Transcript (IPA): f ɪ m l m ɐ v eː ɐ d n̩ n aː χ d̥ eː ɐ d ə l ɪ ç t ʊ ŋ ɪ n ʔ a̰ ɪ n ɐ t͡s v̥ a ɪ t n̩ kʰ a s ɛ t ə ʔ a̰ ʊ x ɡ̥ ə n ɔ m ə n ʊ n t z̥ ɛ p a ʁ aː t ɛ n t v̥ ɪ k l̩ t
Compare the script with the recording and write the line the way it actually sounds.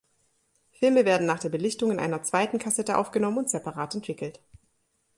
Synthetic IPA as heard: f ɪ l m ə v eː ɐ d n̩ n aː χ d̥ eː ɐ b ə l ɪ ç t ʊ ŋ ɪ n ʔ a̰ ɪ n ɐ t͡s v̥ a ɪ t n̩ kʰ a s ɛ t ə ʔ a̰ ʊ f ɡ̥ ə n ɔ m ə n ʊ n t z̥ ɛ p a ʁ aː t ɛ n t v̥ ɪ k l̩ t